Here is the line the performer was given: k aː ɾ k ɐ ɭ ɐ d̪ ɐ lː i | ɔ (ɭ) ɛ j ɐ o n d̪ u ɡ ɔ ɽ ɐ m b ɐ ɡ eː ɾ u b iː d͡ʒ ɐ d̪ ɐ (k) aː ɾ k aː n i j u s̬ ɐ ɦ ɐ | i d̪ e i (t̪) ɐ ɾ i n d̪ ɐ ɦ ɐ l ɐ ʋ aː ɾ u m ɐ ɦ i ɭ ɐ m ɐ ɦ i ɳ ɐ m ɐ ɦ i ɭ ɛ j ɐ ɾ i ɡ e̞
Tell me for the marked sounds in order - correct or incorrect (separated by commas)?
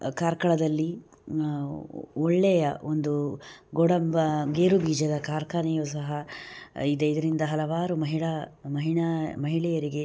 incorrect, correct, incorrect